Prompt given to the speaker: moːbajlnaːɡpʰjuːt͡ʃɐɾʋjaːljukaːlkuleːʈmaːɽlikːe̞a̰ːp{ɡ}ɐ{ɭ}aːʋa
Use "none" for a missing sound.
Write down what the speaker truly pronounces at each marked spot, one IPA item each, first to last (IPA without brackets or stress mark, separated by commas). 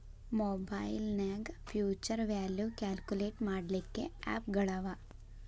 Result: ɡ, ɭ